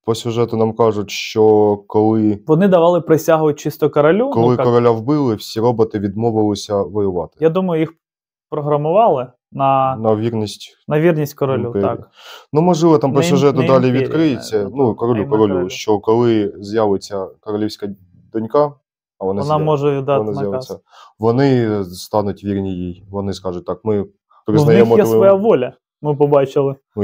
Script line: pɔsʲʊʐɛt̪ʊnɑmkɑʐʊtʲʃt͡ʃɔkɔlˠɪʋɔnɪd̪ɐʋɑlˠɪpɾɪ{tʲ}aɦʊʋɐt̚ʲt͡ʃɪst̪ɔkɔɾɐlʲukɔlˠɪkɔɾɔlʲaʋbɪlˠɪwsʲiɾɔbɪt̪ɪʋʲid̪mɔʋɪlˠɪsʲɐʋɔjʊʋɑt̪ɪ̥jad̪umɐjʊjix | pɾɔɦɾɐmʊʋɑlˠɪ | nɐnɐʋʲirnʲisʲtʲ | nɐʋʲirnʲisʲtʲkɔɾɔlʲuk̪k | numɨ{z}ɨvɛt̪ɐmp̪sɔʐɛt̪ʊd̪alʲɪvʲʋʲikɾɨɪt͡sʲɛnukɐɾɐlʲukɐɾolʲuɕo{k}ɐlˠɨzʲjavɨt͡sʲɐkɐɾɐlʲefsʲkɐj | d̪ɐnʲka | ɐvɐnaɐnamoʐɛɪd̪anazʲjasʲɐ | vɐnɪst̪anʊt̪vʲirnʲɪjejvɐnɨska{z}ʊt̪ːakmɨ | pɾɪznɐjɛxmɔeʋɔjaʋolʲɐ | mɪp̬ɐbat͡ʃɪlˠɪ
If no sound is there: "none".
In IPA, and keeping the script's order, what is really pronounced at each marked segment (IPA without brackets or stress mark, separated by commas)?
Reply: sʲ, ʐ, k, ʐ